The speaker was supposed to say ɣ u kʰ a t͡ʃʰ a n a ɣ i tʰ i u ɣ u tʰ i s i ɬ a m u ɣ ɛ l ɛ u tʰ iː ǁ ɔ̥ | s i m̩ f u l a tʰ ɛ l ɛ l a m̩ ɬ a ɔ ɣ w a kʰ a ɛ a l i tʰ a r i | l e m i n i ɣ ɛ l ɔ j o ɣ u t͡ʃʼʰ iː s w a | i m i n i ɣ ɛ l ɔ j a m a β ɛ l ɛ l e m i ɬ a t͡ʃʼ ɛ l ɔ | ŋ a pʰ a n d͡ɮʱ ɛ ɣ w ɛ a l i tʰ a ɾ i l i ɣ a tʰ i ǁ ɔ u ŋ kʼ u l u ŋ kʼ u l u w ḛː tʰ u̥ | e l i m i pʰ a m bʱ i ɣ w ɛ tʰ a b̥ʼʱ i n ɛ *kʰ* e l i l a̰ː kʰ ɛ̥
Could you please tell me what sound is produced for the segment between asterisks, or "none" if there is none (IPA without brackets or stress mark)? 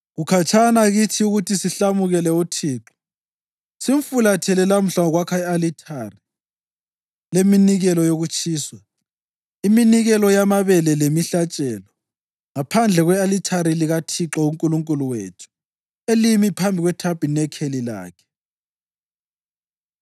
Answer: kʰ